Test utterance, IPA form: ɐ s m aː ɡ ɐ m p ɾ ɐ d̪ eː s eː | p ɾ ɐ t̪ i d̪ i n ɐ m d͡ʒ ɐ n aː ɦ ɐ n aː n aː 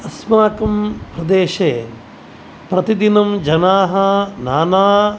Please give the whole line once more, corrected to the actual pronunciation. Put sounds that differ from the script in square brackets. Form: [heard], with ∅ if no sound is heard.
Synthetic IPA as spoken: ɐ s m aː [k] ɐ m p ɾ ɐ d̪ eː [ʃ] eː | p ɾ ɐ t̪ i d̪ i n ɐ m d͡ʒ ɐ n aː ɦ ɐ n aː n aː